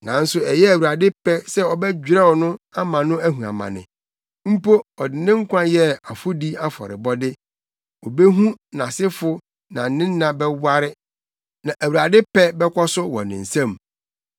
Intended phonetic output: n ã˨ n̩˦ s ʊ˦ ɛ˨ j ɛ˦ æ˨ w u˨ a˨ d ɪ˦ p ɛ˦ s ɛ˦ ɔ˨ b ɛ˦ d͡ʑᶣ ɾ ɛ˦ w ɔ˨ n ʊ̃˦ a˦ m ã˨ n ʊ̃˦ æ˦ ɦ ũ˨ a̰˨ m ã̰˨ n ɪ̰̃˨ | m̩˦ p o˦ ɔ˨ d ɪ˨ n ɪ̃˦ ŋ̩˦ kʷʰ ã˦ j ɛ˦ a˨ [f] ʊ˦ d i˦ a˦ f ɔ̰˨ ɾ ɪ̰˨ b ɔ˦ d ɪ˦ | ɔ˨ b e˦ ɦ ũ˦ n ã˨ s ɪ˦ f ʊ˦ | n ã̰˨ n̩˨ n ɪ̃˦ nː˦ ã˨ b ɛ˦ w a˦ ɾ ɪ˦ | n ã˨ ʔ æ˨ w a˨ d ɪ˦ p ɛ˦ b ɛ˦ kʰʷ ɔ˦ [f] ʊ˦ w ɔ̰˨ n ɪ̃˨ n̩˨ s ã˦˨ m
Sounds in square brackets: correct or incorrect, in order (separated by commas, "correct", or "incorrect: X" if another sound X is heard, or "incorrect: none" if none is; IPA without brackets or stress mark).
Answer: correct, incorrect: s